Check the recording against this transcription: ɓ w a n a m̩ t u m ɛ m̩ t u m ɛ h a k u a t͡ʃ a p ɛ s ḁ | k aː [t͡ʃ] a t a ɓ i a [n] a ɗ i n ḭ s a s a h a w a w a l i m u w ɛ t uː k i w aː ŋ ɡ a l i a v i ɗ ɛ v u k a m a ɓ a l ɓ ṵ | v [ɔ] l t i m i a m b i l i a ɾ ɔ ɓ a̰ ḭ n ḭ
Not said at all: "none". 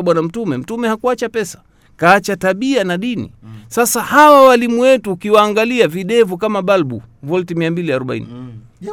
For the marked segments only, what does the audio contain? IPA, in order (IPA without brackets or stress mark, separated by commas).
t͡ʃ, n, ɔ